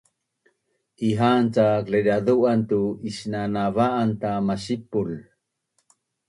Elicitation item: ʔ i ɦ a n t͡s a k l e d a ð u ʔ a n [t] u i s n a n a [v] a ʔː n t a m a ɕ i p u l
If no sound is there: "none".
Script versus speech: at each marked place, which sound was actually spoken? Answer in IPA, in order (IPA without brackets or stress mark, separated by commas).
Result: t, v